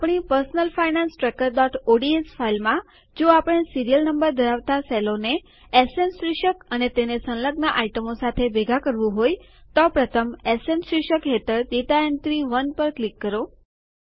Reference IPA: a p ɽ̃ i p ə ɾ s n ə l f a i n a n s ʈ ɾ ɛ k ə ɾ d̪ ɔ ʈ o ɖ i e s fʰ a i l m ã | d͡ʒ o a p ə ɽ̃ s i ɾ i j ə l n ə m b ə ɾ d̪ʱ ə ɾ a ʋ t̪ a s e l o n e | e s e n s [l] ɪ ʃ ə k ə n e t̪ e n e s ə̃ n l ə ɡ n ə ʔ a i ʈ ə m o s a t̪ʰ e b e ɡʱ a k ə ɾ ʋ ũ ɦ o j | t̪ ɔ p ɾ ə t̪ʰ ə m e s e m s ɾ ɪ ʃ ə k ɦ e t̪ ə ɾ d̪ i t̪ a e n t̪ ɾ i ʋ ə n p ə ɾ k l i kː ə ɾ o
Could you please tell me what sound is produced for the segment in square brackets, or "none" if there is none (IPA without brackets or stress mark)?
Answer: ɾ